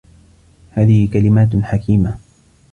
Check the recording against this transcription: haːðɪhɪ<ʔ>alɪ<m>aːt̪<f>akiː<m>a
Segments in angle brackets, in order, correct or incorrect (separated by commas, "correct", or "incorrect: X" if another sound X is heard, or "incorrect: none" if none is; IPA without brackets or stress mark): incorrect: k, correct, incorrect: ħ, correct